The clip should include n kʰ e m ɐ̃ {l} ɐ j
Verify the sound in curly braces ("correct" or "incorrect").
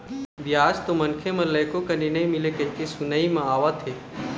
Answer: correct